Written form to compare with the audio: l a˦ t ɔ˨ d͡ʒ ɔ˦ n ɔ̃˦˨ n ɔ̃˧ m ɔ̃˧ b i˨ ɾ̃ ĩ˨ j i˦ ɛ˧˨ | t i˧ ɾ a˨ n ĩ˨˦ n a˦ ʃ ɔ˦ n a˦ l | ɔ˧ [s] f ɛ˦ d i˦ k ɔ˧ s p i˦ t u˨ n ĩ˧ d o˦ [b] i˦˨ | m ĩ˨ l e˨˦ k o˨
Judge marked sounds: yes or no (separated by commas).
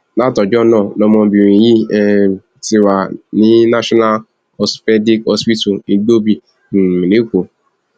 yes, yes